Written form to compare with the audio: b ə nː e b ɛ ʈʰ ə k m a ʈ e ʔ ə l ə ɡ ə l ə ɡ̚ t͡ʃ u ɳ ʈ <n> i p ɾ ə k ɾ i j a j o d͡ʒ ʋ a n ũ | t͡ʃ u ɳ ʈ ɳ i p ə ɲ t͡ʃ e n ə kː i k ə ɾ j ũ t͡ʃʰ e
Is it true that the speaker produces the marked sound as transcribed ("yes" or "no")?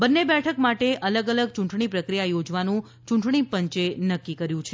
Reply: no